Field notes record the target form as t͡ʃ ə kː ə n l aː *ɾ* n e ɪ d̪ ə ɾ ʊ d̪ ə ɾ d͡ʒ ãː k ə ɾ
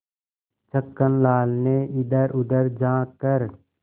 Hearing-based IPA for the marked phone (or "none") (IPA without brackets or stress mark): l